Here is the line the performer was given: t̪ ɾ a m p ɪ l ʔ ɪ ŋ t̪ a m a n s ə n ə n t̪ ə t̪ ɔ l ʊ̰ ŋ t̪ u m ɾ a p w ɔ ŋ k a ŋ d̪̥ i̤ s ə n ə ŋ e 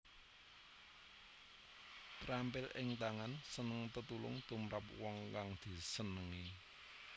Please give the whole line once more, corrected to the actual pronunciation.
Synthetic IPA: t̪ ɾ a m p ɪ l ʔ ɪ ŋ t̪ a ŋ a n s ə n ə ŋ t̪ ə t̪ u l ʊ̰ ŋ t̪ u m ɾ a p w ɔ ŋ k a ŋ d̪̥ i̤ s ə n ə ŋ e